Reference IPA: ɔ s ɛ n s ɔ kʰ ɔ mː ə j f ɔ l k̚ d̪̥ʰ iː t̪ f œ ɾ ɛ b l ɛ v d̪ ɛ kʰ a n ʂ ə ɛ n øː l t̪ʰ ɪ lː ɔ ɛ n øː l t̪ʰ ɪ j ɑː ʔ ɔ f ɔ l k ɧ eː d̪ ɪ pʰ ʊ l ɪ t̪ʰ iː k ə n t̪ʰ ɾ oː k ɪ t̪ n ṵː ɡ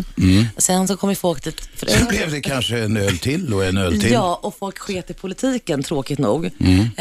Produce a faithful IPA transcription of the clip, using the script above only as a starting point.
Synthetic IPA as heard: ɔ s ɛ n s ɔ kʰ ɔ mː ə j f ɔ l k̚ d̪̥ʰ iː t̪ f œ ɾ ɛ b l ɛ v d̪ ɛ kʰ a n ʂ ə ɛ n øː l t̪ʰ ɪ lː ɔ ɛ n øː l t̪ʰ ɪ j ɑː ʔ ɔ f ɔ l k ɧ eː t̪ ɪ pʰ ʊ l ɪ t̪ʰ iː k ə n t̪ʰ ɾ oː k ɪ t̪ n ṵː ɡ